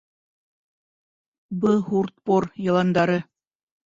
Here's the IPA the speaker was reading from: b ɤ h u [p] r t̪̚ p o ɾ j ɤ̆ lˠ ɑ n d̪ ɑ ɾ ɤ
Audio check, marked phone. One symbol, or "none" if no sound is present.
none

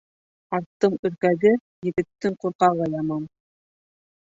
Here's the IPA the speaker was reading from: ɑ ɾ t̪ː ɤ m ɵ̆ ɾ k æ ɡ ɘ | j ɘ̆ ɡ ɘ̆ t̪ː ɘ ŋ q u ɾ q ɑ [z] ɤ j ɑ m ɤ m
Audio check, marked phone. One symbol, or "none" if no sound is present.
ʁ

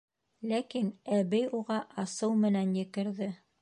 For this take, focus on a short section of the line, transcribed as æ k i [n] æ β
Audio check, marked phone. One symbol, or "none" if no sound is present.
n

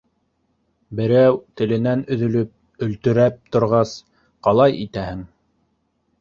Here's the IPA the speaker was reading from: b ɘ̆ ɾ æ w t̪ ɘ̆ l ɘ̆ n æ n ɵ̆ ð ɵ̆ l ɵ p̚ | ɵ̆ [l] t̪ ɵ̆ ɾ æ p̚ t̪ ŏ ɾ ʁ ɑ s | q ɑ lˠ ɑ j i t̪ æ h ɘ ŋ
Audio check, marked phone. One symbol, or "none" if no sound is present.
l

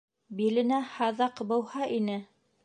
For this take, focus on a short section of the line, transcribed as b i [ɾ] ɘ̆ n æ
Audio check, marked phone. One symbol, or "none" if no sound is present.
l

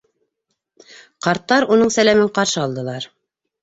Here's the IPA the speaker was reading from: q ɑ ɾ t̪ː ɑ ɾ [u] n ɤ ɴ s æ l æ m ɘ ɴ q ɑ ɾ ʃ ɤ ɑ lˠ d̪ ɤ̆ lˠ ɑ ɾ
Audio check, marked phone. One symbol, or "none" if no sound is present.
u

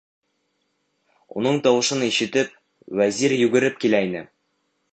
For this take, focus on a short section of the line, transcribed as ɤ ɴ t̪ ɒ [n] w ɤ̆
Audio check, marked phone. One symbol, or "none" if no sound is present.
none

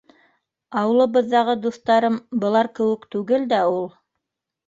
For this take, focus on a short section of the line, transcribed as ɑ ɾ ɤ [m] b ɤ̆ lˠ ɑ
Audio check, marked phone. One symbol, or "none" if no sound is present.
m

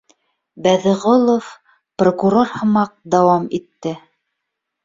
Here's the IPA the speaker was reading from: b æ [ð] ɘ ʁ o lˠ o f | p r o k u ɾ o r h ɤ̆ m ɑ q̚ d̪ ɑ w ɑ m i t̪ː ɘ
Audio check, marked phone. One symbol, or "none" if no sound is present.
ð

